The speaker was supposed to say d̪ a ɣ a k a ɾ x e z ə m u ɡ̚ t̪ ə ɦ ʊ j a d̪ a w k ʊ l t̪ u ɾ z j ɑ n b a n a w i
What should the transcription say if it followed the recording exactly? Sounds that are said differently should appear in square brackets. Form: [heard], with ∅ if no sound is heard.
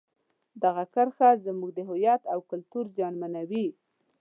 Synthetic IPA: d̪ a ɣ a k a ɾ x [a] z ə m u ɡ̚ [d̪] ə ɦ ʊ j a [t̪] a w k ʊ l t̪ u ɾ z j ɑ n [m] a n a w i